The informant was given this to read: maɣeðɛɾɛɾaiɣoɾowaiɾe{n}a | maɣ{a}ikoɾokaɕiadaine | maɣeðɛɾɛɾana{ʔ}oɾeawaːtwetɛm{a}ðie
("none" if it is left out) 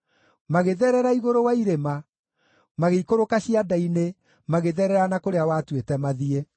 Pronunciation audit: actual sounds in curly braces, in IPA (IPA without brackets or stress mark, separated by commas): m, e, k, a